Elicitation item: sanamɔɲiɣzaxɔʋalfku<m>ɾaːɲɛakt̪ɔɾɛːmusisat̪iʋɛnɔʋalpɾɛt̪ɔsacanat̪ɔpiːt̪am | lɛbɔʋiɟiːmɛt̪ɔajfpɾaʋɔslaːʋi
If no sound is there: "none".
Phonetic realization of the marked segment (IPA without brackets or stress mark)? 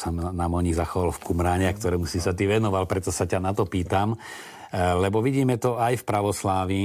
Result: m